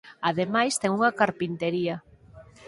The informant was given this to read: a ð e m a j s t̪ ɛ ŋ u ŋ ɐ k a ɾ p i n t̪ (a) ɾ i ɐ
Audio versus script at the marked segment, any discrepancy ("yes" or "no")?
yes